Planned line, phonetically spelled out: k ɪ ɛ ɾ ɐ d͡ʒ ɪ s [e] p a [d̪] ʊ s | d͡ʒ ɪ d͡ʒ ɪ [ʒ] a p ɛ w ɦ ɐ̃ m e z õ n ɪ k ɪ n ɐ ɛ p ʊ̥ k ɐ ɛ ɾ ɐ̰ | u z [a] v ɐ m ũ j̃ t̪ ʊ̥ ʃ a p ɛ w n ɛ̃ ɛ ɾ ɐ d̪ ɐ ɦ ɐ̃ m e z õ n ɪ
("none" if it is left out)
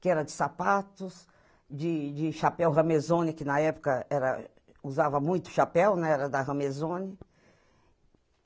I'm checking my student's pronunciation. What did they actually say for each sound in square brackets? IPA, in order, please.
a, t̪, ʃ, a

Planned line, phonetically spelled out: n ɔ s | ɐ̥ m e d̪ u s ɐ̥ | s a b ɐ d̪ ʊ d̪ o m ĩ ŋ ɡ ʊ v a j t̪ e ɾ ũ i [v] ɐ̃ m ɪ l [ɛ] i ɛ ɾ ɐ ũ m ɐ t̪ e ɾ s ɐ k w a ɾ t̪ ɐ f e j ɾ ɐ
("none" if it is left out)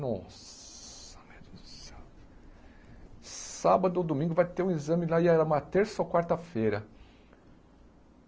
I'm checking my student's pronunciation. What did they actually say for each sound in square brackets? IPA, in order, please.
z, a

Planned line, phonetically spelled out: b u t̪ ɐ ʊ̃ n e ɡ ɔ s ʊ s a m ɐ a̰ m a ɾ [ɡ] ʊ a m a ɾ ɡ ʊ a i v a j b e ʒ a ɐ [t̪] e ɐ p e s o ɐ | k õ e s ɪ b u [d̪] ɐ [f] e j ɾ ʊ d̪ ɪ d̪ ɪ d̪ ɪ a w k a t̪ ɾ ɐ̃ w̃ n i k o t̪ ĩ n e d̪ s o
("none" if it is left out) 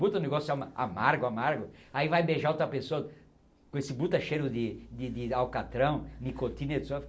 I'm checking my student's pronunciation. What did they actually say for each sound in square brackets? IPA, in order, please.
ɡ, t̪, t̪, ʃ

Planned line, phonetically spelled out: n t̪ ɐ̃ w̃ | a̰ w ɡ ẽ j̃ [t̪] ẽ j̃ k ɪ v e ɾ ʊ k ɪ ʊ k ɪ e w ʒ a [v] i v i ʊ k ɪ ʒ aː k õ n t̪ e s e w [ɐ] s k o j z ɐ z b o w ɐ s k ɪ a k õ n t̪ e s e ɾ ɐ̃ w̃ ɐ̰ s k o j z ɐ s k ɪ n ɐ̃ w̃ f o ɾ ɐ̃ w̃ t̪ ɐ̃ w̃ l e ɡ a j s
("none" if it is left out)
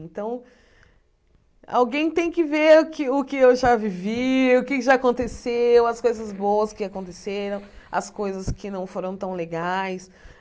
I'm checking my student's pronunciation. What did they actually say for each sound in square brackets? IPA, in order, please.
t̪, v, ɐ

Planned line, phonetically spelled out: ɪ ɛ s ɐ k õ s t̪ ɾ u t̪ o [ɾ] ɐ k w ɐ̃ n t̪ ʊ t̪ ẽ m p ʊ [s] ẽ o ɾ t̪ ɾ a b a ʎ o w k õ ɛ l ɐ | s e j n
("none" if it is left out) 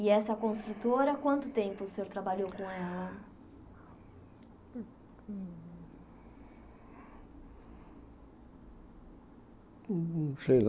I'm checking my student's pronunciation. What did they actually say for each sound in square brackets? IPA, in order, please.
ɾ, s

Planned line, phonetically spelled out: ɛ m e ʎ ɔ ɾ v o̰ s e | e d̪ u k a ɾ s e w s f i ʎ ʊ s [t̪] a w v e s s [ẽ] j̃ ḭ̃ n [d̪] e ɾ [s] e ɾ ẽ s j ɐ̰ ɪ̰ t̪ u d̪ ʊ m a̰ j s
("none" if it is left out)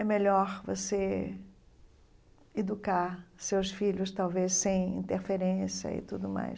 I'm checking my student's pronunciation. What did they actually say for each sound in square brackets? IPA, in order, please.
t̪, ẽ, t̪, f

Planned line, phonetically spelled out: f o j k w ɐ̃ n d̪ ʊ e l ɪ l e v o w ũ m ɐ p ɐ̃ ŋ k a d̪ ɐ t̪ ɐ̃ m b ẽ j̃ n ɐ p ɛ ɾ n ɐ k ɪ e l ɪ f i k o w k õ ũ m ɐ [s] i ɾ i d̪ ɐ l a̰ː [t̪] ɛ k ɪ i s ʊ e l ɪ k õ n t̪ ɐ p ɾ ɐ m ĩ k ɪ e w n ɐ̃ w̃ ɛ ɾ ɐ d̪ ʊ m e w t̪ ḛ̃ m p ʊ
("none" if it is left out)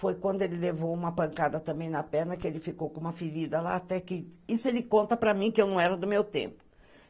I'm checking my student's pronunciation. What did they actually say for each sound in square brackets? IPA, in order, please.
f, t̪

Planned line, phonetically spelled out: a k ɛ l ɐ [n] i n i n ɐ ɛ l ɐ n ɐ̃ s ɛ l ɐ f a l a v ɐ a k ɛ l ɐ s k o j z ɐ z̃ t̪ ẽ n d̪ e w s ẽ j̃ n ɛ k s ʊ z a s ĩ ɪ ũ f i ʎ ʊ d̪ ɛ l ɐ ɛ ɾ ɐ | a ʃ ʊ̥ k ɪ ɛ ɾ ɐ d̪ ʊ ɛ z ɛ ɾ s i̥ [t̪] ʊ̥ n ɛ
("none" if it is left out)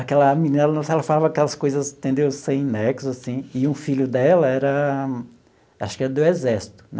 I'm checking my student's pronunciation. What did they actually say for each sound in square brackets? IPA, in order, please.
m, t̪

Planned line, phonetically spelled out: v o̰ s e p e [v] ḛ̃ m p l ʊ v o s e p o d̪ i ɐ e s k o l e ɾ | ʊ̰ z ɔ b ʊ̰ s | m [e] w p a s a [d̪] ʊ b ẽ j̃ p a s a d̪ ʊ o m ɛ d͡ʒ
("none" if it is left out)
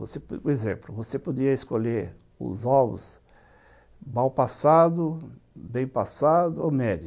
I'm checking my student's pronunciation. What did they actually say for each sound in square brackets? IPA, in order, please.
z, a, d̪

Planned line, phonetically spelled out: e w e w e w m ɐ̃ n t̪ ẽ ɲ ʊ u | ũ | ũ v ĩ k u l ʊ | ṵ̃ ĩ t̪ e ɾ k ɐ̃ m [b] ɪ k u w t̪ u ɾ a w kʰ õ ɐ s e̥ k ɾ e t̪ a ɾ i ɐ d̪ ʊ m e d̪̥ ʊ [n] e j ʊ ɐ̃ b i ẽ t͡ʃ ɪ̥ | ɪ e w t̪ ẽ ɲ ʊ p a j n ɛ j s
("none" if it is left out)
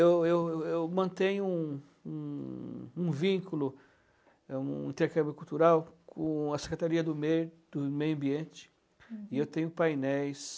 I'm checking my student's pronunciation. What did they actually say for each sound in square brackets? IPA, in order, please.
b, m

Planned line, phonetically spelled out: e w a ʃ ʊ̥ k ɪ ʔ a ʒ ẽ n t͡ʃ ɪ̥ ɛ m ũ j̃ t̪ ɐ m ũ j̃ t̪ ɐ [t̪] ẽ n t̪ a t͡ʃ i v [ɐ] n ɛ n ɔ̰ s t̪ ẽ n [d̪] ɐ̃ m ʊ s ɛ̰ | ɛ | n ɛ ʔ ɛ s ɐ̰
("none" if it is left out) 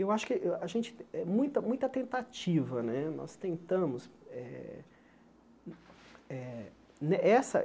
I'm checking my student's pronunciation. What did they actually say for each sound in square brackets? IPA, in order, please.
t̪, ɐ, t̪

